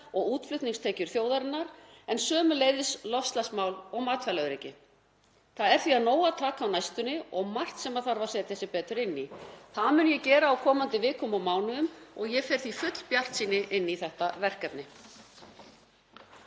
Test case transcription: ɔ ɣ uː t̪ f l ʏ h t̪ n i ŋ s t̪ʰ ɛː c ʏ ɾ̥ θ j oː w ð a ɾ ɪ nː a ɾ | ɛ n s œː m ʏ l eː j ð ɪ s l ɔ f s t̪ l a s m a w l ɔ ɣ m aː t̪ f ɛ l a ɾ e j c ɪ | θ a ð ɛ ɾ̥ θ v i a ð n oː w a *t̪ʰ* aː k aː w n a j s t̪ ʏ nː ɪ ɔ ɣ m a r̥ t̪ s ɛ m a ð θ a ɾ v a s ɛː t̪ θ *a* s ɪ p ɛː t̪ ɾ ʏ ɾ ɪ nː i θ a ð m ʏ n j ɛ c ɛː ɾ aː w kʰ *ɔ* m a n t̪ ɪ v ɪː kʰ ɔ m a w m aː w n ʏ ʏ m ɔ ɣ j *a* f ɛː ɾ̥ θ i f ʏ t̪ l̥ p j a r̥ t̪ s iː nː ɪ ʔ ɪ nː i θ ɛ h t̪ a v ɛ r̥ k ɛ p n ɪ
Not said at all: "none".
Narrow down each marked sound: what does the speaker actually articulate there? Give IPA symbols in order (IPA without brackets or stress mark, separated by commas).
t̪ʰ, ɛ, ɔː, ɛ